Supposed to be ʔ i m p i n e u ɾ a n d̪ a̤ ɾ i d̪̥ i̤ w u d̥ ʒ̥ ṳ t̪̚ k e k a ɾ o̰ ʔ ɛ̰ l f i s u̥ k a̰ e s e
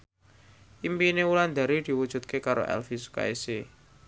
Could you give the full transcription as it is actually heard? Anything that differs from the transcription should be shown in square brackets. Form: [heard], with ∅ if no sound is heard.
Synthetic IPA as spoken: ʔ i m p i n e u [l] a n d̪ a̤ ɾ i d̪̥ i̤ w u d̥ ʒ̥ ṳ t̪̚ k e k a ɾ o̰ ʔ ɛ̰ l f i s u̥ k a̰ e s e